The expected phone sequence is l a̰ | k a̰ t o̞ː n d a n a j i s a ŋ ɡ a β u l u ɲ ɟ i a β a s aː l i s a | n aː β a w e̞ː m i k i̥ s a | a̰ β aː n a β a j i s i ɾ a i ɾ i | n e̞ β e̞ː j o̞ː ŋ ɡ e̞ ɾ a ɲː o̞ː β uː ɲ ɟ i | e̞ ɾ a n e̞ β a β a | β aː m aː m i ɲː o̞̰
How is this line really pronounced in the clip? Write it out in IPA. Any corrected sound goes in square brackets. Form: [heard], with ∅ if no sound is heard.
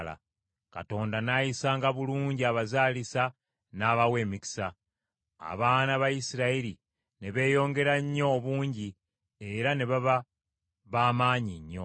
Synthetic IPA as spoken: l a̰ | k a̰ t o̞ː n d a n a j i s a ŋ ɡ a β u l [uː] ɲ ɟ i a β a [z] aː l i s a | n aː β a w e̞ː m i k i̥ s a | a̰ β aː n a β a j i s i ɾ a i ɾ i | n e̞ β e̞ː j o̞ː ŋ ɡ e̞ ɾ a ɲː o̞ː β uː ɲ ɟ i | e̞ ɾ a n e̞ β a β a | β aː m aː [ɲ] i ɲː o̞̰